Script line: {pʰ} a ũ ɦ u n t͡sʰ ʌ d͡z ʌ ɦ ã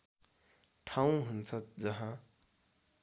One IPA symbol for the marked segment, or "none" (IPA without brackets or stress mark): ʈʰ